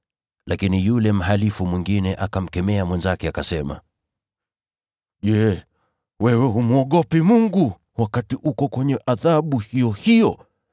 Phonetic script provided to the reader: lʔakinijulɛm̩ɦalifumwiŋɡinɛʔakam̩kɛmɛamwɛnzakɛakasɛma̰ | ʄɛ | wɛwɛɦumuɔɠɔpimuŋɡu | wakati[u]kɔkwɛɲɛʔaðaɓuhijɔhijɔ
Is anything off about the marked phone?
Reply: no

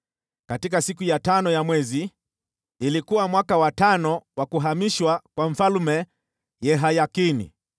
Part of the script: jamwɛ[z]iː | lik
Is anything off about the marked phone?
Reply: no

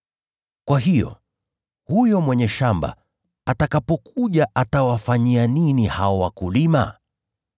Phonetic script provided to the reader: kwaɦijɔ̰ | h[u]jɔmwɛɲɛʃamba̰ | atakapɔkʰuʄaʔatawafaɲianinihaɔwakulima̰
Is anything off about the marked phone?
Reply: no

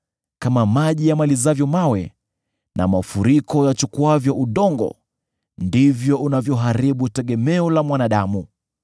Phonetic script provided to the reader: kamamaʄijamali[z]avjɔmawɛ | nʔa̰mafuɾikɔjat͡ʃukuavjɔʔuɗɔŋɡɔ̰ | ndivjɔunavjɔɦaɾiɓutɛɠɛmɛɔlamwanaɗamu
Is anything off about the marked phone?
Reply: no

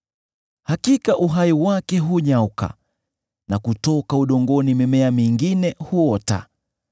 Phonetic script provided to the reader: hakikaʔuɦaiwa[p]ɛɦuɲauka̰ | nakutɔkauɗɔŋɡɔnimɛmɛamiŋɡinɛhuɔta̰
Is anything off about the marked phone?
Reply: yes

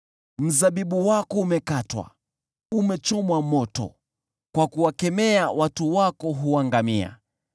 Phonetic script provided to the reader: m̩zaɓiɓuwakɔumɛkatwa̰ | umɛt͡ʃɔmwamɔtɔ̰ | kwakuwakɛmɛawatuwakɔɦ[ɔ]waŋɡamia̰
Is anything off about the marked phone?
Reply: yes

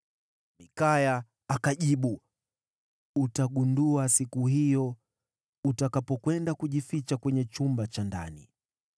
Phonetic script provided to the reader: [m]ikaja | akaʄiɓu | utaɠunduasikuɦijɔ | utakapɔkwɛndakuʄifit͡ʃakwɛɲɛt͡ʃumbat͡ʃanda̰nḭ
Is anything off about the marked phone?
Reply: no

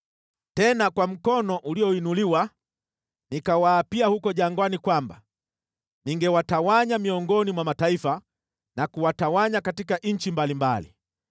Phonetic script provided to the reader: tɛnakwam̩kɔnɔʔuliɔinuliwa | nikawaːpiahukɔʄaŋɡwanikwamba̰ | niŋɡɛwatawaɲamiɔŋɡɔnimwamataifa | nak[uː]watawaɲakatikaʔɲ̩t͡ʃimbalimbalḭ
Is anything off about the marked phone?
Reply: yes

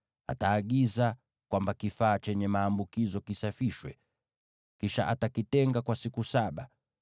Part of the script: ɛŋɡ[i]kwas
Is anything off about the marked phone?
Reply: yes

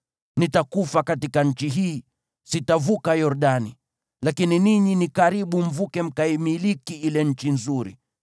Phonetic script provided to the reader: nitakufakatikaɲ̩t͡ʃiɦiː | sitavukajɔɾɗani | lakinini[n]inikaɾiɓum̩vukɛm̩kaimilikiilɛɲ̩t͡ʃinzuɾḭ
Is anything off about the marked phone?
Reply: yes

